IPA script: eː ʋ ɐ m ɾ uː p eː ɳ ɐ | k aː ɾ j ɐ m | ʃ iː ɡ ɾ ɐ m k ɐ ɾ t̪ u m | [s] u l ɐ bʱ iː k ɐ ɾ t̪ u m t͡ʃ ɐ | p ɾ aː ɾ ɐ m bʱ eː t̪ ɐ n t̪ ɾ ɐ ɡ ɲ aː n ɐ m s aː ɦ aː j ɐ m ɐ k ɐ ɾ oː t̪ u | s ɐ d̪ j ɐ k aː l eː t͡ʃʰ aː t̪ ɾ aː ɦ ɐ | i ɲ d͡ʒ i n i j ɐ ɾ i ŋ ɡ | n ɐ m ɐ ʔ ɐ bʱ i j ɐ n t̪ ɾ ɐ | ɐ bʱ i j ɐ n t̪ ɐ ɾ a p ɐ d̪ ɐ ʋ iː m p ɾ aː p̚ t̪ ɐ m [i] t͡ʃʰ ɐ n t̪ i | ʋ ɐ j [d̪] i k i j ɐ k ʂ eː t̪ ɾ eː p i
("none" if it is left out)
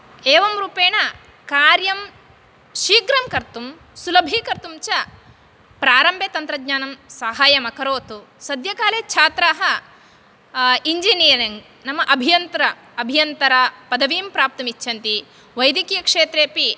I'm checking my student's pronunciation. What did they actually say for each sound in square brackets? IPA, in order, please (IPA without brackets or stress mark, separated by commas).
s, i, d̪